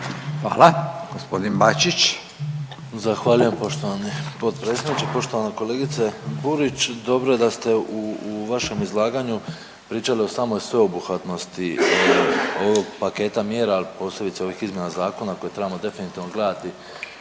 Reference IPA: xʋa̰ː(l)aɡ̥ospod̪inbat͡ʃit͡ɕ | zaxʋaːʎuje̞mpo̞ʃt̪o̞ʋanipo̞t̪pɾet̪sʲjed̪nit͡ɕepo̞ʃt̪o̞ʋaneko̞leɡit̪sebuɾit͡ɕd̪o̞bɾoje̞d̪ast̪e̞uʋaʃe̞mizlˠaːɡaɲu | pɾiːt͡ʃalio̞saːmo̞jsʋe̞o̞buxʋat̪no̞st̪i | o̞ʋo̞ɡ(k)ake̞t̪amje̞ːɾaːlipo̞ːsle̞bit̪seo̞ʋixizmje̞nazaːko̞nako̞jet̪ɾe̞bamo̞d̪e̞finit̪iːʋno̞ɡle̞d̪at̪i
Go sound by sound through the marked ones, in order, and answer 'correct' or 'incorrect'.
correct, incorrect

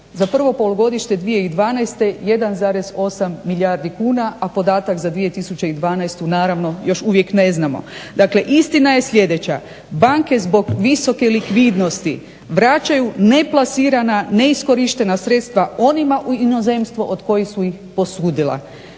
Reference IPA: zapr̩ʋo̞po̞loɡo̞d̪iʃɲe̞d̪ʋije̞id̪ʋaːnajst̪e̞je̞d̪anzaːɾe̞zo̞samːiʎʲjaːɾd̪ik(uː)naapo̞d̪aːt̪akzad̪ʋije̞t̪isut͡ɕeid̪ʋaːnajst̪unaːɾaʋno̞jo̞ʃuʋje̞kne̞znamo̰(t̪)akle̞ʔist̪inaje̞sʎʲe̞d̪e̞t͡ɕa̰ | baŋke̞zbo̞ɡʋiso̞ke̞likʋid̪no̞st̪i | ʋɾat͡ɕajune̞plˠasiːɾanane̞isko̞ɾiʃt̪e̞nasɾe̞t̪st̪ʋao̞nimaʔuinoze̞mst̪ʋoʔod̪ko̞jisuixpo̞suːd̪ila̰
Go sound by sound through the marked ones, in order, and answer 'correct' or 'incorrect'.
correct, incorrect

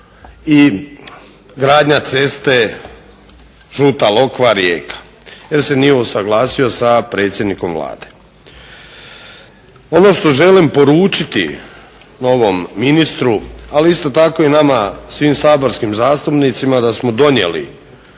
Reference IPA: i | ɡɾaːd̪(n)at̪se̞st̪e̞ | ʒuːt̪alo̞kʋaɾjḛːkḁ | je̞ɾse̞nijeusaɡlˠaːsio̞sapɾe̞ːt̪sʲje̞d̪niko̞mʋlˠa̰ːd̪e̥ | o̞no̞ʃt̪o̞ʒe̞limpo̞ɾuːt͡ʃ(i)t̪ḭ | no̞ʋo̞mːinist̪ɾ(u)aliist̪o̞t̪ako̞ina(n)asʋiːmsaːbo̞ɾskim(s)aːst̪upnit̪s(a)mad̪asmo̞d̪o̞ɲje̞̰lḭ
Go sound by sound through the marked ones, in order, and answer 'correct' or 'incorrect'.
incorrect, correct, correct, incorrect, incorrect, incorrect

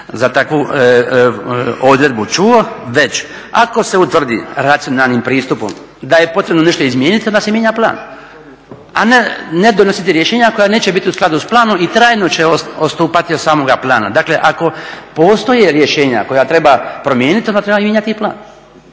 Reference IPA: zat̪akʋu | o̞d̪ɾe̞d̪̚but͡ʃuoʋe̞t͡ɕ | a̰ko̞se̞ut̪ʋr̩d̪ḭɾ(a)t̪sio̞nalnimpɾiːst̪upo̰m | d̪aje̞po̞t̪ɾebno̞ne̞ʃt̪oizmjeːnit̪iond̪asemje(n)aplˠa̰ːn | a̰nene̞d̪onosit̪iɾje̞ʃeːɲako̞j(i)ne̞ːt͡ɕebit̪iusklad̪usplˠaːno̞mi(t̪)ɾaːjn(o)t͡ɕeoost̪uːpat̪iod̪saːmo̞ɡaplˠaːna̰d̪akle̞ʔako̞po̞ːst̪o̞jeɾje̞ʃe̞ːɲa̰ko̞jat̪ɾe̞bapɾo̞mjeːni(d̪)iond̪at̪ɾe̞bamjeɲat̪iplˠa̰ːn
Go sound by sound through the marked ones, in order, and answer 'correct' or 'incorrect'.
correct, incorrect, incorrect, correct, correct, incorrect

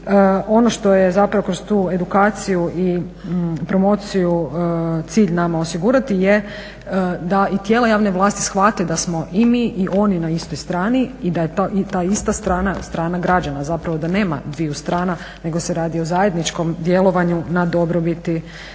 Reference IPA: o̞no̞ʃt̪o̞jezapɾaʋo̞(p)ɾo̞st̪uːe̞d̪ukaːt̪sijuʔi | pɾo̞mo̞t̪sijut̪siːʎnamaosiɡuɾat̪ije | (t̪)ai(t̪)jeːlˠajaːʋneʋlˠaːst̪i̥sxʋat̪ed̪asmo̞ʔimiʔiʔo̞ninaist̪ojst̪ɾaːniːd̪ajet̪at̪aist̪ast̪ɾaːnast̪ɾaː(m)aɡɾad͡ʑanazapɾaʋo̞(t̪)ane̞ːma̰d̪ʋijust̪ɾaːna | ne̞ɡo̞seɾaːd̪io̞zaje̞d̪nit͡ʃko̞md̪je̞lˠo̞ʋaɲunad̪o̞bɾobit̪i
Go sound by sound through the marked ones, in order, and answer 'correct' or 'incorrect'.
incorrect, incorrect, correct, incorrect, incorrect

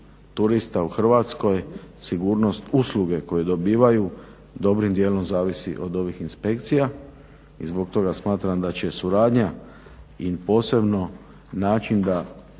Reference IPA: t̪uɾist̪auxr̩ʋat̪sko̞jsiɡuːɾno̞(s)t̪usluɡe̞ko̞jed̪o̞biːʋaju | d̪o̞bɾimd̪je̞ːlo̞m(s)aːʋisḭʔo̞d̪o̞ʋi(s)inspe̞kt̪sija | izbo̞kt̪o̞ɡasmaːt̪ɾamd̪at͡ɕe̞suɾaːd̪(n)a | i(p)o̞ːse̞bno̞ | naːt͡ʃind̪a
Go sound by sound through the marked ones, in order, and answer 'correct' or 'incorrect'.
correct, incorrect, incorrect, incorrect, correct

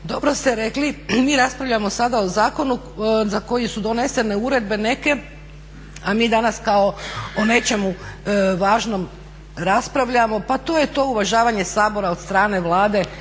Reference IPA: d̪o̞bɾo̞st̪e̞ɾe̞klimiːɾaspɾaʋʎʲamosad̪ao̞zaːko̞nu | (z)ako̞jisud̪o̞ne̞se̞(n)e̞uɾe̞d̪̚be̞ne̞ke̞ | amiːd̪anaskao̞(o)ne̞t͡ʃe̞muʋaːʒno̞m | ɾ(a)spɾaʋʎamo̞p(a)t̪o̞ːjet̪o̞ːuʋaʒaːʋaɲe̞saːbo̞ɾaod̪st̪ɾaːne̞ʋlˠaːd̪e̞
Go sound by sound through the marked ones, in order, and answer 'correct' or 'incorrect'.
correct, correct, correct, correct, correct

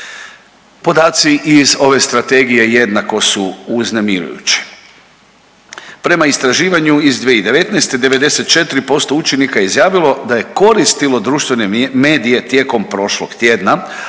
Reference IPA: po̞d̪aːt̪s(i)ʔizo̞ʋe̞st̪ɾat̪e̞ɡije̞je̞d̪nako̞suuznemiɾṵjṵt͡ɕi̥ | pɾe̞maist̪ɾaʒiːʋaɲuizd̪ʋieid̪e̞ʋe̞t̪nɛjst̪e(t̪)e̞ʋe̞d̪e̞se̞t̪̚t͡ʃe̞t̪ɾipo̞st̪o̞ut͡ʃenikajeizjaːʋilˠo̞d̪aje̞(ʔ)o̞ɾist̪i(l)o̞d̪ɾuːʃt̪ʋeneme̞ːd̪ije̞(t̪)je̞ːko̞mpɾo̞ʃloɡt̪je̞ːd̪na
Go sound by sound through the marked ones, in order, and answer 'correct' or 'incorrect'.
correct, incorrect, incorrect, correct, correct

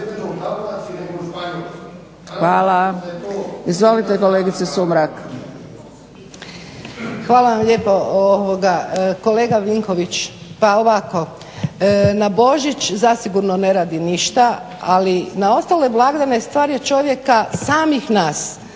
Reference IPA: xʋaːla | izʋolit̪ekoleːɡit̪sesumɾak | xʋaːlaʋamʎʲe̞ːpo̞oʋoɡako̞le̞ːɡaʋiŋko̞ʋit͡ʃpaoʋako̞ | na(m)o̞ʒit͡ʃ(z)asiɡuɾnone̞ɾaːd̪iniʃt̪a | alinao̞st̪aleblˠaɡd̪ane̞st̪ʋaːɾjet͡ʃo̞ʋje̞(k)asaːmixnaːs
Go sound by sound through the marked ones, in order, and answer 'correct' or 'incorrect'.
incorrect, correct, correct

